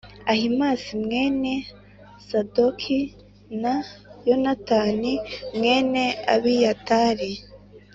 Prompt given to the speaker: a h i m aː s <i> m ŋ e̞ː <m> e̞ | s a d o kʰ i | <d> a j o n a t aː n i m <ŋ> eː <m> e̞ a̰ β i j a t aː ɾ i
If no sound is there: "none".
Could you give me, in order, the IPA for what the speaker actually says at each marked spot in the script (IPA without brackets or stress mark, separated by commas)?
i, n, n, ŋ, n